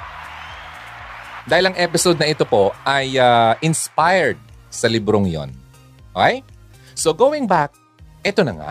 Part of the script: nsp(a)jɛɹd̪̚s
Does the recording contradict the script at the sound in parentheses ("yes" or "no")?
no